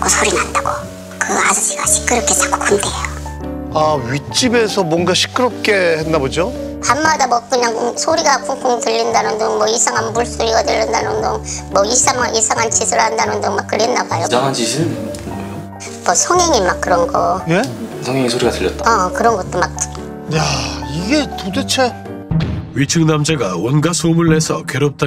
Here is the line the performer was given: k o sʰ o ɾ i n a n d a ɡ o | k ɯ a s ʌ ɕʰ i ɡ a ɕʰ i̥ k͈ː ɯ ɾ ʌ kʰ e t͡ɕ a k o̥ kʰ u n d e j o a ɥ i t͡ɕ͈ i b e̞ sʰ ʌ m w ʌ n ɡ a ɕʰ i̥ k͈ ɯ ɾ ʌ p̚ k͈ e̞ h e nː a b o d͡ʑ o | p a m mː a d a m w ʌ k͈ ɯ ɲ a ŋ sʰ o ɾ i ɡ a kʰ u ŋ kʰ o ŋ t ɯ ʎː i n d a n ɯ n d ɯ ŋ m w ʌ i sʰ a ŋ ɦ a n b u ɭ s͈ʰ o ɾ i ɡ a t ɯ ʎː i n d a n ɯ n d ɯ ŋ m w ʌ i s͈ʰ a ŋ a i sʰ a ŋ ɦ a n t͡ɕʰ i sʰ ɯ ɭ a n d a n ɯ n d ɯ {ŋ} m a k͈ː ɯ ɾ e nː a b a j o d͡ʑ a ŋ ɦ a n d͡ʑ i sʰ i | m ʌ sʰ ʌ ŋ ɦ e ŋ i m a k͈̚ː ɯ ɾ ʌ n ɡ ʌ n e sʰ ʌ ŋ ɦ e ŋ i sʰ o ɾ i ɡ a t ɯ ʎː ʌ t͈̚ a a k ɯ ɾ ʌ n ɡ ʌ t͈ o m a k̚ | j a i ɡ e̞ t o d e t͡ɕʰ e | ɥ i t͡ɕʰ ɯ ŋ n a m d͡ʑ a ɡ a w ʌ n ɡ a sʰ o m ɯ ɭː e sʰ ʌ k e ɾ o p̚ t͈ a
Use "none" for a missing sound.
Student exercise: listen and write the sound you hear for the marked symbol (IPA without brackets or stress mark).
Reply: ŋ